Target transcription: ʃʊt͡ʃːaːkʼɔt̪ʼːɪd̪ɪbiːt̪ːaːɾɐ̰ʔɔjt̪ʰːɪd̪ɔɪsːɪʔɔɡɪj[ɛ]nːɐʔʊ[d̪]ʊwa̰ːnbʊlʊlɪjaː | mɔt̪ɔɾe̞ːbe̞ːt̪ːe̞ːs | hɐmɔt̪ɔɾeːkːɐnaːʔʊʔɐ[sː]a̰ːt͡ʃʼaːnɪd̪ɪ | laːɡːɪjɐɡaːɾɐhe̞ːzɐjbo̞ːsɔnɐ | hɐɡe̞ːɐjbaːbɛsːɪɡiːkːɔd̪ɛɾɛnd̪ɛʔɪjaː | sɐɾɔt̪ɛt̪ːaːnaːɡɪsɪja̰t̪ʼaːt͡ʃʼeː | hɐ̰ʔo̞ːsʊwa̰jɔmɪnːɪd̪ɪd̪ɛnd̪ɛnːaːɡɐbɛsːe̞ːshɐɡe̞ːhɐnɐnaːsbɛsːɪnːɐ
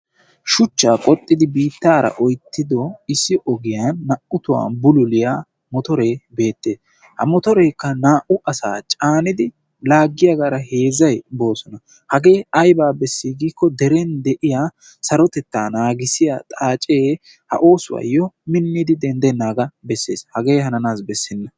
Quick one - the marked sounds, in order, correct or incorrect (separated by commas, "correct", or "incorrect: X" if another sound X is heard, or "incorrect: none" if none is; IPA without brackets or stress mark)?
incorrect: a, incorrect: t̪, incorrect: s